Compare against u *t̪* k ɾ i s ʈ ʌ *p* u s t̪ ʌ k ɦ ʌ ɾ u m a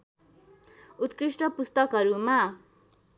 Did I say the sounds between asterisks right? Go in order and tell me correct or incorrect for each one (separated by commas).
correct, correct